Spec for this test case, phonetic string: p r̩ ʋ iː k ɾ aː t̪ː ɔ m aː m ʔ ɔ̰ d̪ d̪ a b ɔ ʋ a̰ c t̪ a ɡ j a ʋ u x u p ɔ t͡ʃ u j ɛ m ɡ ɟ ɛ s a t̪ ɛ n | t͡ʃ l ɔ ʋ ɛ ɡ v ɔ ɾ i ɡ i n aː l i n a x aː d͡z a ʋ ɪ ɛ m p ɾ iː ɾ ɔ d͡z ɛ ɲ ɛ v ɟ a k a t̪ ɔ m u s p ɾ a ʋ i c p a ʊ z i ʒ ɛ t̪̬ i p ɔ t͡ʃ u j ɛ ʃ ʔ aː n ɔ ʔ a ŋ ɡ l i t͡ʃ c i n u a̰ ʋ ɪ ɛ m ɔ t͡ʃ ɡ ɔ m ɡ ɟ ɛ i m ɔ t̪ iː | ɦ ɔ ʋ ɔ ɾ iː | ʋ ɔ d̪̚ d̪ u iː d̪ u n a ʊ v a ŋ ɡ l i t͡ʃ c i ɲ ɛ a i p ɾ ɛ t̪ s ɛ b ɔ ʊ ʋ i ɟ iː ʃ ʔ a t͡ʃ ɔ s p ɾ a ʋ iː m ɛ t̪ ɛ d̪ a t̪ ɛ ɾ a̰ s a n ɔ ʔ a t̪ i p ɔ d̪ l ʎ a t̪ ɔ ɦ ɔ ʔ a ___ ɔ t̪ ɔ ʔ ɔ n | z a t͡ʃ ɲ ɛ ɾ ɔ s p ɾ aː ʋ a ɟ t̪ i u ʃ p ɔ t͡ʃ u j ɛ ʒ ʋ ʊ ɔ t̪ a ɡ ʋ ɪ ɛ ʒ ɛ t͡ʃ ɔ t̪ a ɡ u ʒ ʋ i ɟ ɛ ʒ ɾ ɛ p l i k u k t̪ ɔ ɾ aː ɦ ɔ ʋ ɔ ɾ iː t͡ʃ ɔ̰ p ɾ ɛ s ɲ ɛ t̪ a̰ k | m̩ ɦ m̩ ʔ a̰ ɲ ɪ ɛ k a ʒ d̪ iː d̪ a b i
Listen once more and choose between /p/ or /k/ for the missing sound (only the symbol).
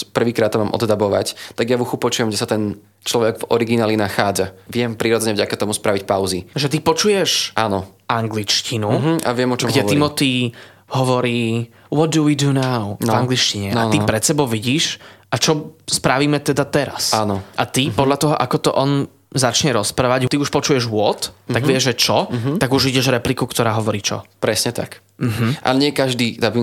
k